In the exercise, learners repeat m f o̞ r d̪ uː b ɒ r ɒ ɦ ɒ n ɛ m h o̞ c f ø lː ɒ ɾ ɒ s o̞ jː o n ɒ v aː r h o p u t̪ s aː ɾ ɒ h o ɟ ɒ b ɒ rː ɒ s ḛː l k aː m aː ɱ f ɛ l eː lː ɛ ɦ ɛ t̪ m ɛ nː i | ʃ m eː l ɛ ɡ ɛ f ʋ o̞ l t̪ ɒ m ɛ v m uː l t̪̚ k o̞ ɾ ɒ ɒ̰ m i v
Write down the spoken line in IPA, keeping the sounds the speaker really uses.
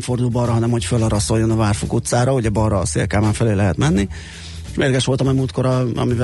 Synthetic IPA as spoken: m f o̞ r d̪ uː b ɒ r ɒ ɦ ɒ n ɛ m h o̞ c f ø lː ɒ ɾ ɒ s o̞ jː o n ɒ v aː r f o k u t̪ s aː ɾ ɒ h o ɟ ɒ b ɒ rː ɒ s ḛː l k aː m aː ɱ f ɛ l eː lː ɛ ɦ ɛ t̪ m ɛ nː i | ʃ m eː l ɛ ɡ ɛ ʃ ʋ o̞ l t̪ ɒ m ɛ m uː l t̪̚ k o̞ ɾ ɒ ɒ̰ m i v